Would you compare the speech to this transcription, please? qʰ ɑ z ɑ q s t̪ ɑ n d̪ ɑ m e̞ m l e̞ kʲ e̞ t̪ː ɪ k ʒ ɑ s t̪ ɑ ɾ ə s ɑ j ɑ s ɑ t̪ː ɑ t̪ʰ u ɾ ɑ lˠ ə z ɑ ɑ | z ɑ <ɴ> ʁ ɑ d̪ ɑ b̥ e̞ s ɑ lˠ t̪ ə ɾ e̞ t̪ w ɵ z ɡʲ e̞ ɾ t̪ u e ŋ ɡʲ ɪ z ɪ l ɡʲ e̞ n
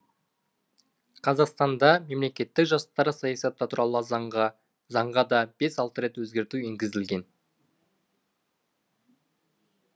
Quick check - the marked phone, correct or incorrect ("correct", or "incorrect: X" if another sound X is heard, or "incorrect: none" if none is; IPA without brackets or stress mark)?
correct